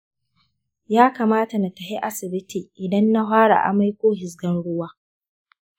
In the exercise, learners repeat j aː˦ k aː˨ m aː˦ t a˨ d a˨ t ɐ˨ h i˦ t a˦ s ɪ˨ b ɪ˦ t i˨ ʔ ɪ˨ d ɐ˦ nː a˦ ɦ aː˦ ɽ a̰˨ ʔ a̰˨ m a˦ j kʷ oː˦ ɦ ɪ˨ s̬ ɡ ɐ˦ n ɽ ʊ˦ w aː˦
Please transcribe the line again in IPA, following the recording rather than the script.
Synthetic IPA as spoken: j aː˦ k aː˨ m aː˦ t a˨ n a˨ t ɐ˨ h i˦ ʔ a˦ s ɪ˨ b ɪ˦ t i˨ ʔ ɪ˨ d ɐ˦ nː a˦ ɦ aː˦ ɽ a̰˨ ʔ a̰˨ m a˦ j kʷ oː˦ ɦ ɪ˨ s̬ ɡ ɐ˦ n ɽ ʊ˦ w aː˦